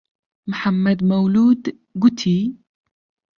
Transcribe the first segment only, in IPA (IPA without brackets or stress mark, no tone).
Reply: m